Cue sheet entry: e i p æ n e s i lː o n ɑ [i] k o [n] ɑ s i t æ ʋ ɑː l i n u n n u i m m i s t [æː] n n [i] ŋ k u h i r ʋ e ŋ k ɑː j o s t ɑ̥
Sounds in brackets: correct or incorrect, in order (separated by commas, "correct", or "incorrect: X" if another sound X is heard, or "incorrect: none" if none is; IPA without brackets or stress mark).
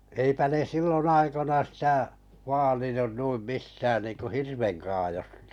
correct, correct, correct, incorrect: iː